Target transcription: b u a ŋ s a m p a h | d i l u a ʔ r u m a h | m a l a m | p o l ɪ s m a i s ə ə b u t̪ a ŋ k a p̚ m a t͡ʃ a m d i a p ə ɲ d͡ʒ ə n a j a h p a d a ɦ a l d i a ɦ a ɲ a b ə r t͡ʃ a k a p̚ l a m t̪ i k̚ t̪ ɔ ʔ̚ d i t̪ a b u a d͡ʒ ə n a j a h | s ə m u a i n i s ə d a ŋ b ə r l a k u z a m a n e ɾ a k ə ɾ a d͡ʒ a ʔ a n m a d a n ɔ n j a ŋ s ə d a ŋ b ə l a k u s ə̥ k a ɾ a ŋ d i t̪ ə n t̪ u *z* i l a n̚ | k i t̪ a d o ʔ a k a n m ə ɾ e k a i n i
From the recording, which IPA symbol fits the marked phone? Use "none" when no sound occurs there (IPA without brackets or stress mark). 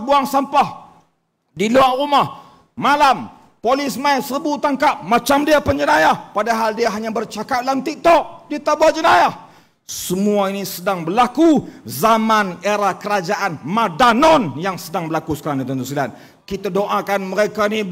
s